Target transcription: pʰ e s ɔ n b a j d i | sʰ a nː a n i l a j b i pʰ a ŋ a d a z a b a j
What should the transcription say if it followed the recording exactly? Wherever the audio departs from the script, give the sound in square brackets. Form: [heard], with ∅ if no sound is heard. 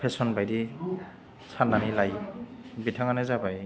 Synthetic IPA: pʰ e s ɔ n b a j d i | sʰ a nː a n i l a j b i [tʰ] a ŋ a [n] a z a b a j